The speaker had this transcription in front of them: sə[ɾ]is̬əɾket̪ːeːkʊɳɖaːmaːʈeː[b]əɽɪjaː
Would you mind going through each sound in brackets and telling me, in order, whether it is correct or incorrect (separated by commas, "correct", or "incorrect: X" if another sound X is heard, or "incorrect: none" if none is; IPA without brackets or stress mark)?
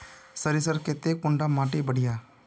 correct, correct